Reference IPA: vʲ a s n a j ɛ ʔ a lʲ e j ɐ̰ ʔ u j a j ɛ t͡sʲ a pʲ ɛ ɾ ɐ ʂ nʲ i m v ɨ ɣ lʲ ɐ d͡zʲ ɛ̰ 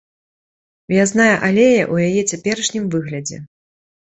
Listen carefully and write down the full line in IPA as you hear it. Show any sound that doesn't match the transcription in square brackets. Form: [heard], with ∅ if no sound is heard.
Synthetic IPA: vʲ a [z] n a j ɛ ʔ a lʲ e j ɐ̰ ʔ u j a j ɛ t͡sʲ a pʲ ɛ ɾ ɐ ʂ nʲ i m v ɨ ɣ lʲ ɐ d͡zʲ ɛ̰